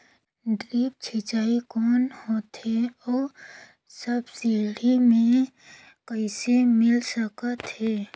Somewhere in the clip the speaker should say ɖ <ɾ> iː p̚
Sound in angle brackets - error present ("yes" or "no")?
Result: no